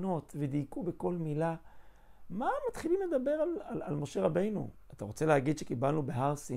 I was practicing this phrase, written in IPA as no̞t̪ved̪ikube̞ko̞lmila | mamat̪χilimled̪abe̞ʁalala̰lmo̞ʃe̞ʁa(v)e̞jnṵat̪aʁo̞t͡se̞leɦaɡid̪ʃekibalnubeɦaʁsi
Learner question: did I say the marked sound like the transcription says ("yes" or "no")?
no